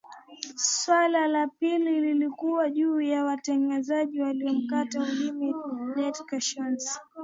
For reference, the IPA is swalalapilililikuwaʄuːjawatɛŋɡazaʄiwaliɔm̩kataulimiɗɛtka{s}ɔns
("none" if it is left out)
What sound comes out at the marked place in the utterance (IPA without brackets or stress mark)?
ʃ